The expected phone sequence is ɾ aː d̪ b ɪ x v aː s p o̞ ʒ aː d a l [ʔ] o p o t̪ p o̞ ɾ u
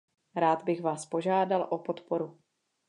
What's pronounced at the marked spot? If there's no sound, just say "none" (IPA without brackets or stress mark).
ʔ